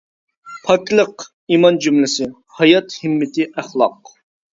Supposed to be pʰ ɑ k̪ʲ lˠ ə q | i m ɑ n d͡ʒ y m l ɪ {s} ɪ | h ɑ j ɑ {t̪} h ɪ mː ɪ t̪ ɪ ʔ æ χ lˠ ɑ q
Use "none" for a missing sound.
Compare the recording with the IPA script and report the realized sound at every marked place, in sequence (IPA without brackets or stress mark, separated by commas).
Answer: s, t̪